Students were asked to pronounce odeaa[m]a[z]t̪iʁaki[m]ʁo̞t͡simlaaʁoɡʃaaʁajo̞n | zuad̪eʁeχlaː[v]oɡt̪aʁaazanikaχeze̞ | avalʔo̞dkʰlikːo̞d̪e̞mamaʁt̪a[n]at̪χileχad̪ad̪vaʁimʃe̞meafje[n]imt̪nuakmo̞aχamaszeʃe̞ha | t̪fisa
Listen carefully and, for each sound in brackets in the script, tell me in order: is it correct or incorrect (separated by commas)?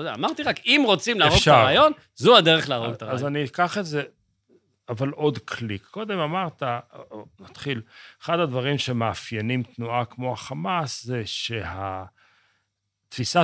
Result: correct, incorrect, correct, incorrect, correct, correct